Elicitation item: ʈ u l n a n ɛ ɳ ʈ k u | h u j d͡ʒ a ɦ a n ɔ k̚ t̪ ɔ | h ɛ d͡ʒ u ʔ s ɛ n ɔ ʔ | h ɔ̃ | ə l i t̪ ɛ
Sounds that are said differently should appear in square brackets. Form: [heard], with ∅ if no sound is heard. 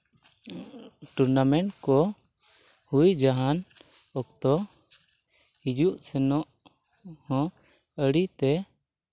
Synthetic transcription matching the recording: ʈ u [ɾ] n a [m] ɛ ɳ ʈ k [ɔ] | h u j d͡ʒ a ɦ a n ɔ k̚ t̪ ɔ | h [i] d͡ʒ u ʔ s ɛ n ɔ ʔ | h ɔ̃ | ə [ɽ] i t̪ ɛ